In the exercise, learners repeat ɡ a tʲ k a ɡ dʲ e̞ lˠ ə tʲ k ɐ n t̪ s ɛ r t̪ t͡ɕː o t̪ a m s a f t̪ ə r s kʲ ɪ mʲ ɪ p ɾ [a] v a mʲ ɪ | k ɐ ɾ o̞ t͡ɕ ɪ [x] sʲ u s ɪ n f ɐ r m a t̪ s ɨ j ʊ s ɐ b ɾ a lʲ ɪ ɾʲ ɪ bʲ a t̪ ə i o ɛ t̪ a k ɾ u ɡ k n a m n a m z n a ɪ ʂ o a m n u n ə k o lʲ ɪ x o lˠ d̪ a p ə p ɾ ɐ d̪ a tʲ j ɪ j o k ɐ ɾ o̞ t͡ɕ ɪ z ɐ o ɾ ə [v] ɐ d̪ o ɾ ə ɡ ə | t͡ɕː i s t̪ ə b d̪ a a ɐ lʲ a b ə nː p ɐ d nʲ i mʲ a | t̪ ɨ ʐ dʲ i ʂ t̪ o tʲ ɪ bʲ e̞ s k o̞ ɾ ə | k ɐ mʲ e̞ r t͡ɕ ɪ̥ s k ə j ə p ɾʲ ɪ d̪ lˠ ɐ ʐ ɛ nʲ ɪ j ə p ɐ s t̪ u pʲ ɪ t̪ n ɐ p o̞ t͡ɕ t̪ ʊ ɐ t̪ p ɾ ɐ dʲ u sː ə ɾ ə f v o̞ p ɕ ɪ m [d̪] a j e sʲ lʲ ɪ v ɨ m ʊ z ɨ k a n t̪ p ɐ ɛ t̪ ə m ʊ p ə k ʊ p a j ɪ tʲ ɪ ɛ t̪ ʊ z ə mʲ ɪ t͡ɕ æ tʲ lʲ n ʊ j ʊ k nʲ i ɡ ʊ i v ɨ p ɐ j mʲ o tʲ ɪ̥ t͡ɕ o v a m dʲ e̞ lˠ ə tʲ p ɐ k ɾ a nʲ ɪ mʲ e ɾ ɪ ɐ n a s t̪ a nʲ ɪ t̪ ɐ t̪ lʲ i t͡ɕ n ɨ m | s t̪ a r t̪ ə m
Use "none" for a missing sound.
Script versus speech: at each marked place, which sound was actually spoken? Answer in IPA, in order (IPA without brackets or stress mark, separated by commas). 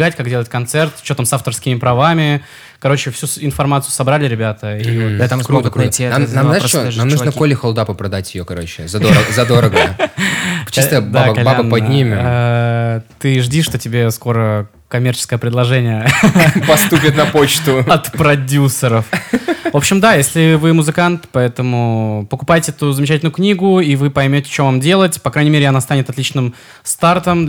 ɐ, f, z, d̪